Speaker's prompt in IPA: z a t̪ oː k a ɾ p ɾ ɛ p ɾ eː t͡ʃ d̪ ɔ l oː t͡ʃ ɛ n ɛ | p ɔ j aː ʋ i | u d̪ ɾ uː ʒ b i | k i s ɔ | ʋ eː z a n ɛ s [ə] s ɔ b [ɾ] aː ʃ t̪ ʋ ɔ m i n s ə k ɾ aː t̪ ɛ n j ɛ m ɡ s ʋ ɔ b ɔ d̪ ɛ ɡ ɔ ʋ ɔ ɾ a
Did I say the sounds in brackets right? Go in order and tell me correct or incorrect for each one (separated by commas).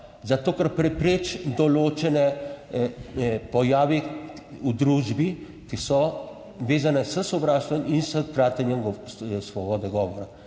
correct, correct